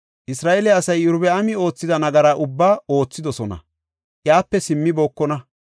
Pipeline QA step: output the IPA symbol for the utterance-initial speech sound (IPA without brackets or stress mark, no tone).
ʔ